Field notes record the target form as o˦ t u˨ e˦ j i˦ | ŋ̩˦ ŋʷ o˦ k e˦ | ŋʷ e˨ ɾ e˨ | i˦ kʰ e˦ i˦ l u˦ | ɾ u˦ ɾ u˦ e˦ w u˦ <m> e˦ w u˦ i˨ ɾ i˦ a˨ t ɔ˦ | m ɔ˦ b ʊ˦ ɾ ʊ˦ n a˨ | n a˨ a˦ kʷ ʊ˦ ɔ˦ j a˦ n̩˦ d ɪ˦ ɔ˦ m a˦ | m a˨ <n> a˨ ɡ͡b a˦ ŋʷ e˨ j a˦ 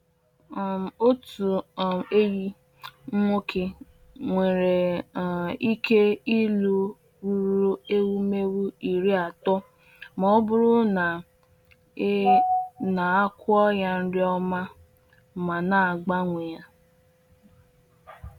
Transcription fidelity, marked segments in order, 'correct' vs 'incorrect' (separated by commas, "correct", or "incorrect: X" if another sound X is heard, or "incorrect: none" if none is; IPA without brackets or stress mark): correct, correct